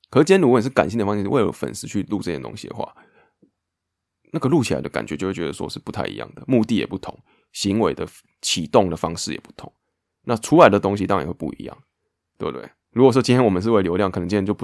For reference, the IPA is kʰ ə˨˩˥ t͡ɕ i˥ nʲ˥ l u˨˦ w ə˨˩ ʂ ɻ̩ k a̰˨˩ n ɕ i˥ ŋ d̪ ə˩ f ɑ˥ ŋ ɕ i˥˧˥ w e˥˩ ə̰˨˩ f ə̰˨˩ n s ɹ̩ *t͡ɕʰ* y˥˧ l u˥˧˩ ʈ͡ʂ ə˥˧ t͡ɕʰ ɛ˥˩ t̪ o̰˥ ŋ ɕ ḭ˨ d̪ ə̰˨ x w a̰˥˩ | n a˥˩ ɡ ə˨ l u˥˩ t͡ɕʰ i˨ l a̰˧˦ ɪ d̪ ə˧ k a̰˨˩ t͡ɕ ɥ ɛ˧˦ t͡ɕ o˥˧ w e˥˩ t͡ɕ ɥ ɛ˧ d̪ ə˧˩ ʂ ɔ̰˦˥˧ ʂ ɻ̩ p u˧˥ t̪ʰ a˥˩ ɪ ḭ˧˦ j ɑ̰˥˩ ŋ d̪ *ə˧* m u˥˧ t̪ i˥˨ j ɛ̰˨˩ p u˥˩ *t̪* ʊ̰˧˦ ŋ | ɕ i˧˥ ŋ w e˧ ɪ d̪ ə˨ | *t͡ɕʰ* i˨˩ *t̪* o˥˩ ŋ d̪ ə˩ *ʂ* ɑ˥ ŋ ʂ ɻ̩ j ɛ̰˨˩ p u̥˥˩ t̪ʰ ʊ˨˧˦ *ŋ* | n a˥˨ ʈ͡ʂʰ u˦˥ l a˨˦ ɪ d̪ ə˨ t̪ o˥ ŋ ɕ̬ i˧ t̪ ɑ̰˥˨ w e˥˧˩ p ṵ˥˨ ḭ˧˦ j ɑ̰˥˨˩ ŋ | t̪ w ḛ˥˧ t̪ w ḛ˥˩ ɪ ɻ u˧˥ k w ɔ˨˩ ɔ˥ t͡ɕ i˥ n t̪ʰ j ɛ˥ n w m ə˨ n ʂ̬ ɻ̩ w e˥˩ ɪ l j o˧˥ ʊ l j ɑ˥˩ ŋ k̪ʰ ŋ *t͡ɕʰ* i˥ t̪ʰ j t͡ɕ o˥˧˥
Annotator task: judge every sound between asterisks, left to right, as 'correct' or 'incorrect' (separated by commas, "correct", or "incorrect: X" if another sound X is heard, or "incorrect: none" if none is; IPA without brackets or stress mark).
correct, incorrect: ə˩, incorrect: t̪ʰ, correct, correct, incorrect: f, correct, incorrect: t͡ɕ